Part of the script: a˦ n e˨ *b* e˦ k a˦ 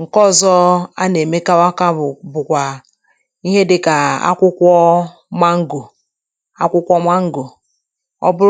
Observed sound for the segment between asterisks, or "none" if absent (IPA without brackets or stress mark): m